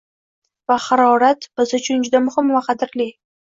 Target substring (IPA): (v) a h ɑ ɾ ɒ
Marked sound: correct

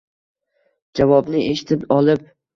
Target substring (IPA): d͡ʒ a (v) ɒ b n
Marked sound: correct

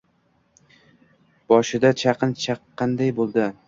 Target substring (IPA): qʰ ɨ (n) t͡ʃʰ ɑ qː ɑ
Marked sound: correct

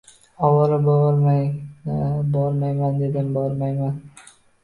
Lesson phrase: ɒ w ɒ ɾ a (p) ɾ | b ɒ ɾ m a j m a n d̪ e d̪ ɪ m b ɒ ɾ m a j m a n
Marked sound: incorrect: b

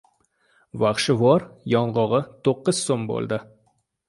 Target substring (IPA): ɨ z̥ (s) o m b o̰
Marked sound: correct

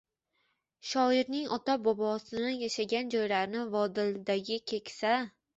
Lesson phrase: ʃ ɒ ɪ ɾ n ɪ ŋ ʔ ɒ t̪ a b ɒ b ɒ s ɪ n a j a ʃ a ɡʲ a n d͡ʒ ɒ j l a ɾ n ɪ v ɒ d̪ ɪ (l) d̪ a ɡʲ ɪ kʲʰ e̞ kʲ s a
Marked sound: correct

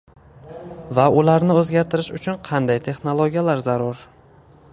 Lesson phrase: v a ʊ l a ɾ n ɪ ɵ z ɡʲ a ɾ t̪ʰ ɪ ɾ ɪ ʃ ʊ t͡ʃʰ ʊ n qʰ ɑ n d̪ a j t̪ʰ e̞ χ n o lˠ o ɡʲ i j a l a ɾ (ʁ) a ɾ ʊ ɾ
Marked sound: incorrect: z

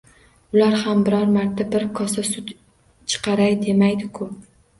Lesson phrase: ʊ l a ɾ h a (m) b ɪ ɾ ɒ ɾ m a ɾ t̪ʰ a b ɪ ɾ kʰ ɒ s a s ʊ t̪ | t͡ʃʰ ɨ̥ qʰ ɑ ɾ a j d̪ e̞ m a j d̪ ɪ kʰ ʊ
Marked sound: correct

